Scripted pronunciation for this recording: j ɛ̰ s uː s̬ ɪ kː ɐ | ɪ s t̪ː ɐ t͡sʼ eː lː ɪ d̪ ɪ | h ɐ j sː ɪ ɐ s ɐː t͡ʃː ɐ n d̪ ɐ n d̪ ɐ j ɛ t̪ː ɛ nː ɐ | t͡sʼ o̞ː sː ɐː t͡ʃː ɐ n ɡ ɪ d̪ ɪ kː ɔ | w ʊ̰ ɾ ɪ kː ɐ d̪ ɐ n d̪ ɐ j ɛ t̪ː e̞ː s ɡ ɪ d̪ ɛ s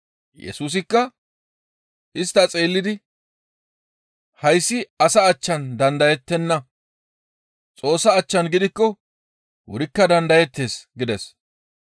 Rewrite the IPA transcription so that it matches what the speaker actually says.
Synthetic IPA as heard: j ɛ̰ s uː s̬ ɪ kː ɐ | ɪ s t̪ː ɐ t͡sʼ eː lː ɪ d̪ ɪ | h ɐ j sː ɪ ɐ s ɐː t͡ʃː ɐ n d̪ ɐ n d̪ ɐ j ɛ t̪ː ɛ nː ɐ | t͡sʼ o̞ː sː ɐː t͡ʃː ɐ n ɡ ɪ d̪ ɪ kː ɔ | w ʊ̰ ɾ ɪ kː ɐ d̪ ɐ n d̪ ɐ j ɛ t̪ː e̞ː s ɡ ɪ d̪ ɛ s